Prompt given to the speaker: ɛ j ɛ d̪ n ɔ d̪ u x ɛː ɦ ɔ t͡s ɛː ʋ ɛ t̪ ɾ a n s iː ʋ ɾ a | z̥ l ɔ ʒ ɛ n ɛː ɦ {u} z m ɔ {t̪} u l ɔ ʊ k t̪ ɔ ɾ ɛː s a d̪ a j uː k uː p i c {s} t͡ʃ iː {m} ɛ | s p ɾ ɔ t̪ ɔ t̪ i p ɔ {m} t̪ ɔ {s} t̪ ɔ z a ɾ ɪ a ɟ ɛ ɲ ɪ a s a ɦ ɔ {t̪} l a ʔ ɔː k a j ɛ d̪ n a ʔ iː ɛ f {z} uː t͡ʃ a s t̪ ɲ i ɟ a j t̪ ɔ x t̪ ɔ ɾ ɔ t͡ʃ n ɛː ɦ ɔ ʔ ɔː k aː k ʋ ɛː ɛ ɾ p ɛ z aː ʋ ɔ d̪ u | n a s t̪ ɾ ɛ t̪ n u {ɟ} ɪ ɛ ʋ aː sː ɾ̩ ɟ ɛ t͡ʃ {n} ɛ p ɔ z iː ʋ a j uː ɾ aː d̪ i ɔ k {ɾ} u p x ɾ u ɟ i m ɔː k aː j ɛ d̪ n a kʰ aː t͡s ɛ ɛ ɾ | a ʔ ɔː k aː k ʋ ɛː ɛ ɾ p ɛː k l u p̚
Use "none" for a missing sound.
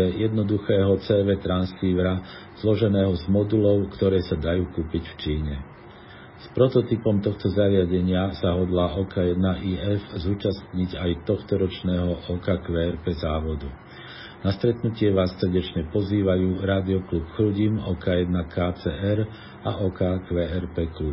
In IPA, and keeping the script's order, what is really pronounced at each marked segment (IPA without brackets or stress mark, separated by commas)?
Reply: ɔ, d̪, f, ɲ, m, x, d̪, z, c, ɲ, l